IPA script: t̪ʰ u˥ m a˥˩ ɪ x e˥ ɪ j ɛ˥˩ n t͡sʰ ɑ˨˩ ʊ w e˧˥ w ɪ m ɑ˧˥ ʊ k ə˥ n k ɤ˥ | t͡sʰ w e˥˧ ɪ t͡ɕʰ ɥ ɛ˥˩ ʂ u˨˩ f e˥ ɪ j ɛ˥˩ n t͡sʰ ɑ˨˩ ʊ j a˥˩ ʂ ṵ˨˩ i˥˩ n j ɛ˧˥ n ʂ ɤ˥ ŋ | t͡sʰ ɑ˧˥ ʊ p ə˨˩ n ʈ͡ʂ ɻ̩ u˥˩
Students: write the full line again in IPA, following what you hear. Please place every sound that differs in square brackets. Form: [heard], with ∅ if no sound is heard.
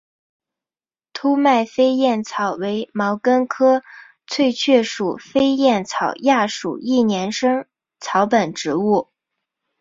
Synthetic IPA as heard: t̪ʰ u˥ m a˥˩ ɪ [f] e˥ ɪ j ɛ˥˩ n t͡sʰ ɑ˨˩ ʊ w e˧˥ [∅] ɪ m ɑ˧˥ ʊ k ə˥ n [kʰ] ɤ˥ | t͡sʰ w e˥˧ ɪ t͡ɕʰ ɥ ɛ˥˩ ʂ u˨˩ f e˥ ɪ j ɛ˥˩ n t͡sʰ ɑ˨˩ ʊ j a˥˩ ʂ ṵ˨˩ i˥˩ n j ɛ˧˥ n ʂ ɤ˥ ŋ | t͡sʰ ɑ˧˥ ʊ p ə˨˩ n ʈ͡ʂ ɻ̩ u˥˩

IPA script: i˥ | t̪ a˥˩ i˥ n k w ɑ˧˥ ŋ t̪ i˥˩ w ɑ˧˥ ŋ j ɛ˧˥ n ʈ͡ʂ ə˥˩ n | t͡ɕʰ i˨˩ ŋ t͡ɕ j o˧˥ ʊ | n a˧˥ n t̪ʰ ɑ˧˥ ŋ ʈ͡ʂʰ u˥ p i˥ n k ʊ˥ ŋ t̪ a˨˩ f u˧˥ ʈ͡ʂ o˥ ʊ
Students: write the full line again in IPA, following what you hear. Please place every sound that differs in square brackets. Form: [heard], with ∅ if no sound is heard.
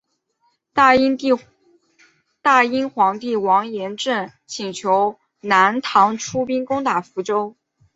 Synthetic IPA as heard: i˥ | t̪ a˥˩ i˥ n [x] w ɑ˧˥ ŋ t̪ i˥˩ w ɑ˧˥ ŋ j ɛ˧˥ n ʈ͡ʂ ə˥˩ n | t͡ɕʰ i˨˩ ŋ [t͡ɕʰ] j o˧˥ ʊ | n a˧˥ n t̪ʰ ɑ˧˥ ŋ ʈ͡ʂʰ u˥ p i˥ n k ʊ˥ ŋ t̪ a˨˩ f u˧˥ ʈ͡ʂ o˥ ʊ

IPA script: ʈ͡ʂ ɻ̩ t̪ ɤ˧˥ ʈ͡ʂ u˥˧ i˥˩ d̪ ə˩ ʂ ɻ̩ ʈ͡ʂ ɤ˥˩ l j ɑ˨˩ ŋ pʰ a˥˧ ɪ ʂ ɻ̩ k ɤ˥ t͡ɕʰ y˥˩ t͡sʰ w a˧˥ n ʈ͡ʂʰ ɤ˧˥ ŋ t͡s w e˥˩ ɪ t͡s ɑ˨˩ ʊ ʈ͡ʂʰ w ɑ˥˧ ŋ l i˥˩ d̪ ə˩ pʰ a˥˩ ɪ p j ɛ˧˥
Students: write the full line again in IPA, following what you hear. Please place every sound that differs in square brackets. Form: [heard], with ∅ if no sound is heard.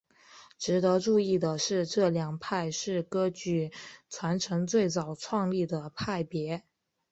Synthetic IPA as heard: ʈ͡ʂ ɻ̩ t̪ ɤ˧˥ ʈ͡ʂ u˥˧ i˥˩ d̪ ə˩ ʂ ɻ̩ ʈ͡ʂ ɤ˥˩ l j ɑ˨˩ ŋ pʰ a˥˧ ɪ ʂ ɻ̩ k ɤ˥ [t͡ɕ] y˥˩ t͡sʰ w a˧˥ n ʈ͡ʂʰ ɤ˧˥ ŋ t͡s w e˥˩ ɪ t͡s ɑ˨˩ ʊ ʈ͡ʂʰ w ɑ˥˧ ŋ l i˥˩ d̪ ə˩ pʰ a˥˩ ɪ p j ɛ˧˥

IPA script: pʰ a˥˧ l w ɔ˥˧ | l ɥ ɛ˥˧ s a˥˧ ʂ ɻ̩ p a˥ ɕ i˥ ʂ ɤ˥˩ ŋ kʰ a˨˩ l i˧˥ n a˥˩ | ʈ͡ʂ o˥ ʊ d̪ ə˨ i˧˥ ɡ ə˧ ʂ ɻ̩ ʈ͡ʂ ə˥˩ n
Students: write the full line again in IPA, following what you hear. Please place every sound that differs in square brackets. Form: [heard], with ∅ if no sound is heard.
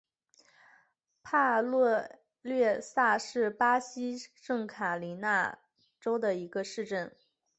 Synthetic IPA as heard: pʰ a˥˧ l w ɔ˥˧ | l ɥ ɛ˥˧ s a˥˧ ʂ ɻ̩ p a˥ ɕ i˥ ʂ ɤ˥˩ ŋ kʰ a˨˩ l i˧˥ n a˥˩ | ʈ͡ʂ o˥ ʊ d̪ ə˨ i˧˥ ɡ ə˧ ʂ ɻ̩ ʈ͡ʂ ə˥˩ n

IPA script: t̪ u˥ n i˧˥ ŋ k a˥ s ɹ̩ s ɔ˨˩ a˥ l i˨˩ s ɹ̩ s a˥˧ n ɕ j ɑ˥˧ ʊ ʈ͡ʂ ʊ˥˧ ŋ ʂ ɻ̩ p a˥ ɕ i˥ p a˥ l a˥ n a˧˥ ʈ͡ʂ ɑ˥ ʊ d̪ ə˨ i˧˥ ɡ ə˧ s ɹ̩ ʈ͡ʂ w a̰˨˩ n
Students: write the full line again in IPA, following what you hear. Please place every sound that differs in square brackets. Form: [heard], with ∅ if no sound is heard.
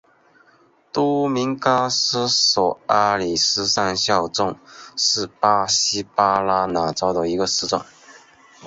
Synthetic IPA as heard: t̪ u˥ [m] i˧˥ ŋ k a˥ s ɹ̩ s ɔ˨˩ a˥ l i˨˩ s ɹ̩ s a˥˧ n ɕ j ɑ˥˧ ʊ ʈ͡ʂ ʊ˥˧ ŋ ʂ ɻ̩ p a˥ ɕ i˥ p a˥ l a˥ n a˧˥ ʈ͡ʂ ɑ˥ ʊ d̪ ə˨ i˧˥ ɡ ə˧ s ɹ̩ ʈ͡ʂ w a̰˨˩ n

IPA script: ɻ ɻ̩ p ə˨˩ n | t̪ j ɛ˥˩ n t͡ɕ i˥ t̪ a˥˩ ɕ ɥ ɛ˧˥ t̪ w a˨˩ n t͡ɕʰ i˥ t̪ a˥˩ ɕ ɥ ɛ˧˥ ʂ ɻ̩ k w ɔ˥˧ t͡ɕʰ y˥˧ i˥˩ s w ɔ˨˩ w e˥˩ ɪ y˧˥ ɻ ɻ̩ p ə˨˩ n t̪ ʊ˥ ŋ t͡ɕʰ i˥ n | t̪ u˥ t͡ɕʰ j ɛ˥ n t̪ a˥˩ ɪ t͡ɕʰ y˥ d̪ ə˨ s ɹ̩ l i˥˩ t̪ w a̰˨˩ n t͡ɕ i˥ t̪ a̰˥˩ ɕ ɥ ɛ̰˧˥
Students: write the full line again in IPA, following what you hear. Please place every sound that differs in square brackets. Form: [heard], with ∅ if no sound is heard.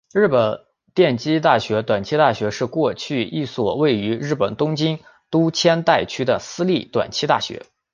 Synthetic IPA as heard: ɻ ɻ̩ p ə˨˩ n | t̪ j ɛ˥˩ n t͡ɕ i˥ t̪ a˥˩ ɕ ɥ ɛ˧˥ t̪ w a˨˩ n t͡ɕʰ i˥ t̪ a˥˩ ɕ ɥ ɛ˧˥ ʂ ɻ̩ k w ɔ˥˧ t͡ɕʰ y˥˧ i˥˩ s w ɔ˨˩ w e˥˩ ɪ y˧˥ ɻ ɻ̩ p ə˨˩ n t̪ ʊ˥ ŋ [t͡ɕ] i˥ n | t̪ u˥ t͡ɕʰ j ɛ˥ n t̪ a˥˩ ɪ t͡ɕʰ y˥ d̪ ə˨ s ɹ̩ l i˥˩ t̪ w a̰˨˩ n [t͡ɕʰ] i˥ t̪ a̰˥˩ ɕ ɥ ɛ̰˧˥

